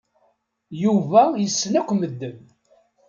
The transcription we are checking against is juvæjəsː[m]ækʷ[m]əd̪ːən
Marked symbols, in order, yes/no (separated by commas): no, yes